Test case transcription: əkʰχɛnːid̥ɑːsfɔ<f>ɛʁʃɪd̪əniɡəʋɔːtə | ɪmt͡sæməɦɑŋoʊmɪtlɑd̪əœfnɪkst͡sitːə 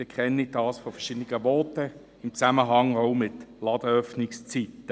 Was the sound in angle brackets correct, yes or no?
yes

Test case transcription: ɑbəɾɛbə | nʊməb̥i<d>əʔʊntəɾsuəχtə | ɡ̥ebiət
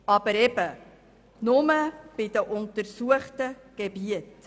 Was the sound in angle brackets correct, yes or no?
yes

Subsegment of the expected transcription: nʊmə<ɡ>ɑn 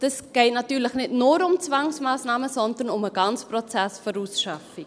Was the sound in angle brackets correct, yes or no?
yes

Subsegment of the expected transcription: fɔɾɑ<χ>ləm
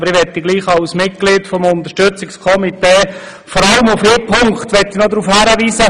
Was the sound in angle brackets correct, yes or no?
no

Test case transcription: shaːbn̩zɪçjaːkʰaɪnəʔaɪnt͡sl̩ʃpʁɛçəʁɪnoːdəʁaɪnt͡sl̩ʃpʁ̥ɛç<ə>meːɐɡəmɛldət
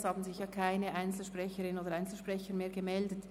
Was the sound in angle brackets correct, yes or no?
yes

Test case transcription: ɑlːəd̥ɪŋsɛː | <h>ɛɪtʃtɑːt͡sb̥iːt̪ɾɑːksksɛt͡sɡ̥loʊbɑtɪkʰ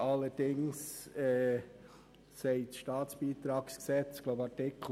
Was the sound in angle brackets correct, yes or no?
no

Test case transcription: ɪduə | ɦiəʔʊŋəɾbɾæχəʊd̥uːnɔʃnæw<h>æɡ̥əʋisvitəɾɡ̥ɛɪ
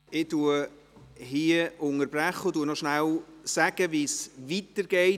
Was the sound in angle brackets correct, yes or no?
no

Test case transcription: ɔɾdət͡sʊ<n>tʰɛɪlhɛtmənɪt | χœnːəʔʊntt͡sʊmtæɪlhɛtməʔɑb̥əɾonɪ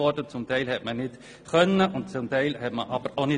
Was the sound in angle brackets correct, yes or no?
no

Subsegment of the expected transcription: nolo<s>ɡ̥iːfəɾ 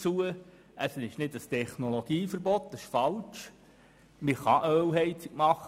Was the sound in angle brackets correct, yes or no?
no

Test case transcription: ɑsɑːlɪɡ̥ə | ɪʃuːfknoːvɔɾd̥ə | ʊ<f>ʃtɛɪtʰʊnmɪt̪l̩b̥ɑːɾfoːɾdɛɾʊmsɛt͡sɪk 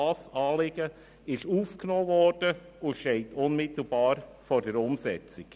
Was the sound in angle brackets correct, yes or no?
no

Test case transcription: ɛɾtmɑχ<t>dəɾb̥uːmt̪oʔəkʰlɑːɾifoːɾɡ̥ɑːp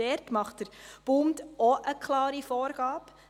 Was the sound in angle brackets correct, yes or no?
yes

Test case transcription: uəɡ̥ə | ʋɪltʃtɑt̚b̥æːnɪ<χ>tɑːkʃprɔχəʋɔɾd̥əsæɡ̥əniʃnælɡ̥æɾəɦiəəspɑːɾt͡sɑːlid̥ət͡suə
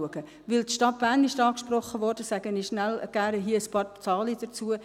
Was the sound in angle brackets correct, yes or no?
no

